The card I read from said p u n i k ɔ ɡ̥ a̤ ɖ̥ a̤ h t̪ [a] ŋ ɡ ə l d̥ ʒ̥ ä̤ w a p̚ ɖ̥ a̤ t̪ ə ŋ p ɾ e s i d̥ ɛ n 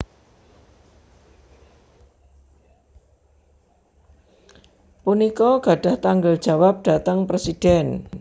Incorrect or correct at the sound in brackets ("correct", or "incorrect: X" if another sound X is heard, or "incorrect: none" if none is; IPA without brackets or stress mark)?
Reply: correct